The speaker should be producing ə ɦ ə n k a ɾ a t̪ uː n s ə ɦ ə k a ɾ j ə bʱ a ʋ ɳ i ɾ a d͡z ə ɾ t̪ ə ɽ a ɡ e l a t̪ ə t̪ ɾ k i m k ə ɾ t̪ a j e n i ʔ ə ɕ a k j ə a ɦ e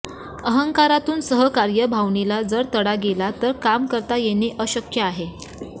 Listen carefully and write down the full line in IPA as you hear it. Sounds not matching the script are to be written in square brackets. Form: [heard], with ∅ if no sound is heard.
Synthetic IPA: ə ɦ ə [ŋ] k a ɾ a t̪ uː n s ə ɦ ə k a ɾ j ə bʱ a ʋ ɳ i [l] a d͡z ə ɾ t̪ ə ɽ a ɡ e l a t̪ ə [∅] ɾ k [a] m k ə ɾ t̪ a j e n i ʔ ə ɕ [ə] k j ə a ɦ e